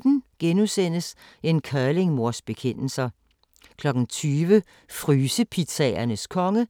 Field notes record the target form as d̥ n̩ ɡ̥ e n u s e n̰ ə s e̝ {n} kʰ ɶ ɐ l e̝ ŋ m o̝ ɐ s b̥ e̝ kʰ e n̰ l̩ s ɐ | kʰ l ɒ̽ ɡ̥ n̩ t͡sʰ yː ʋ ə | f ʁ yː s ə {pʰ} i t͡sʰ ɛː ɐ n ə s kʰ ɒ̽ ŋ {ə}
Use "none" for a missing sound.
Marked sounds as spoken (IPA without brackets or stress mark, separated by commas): n, pʰ, ə